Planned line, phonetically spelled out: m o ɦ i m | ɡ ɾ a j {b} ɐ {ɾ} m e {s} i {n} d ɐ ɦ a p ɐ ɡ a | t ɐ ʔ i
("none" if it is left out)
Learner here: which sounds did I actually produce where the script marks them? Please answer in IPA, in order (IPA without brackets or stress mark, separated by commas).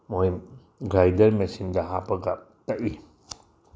d, ɾ, s, n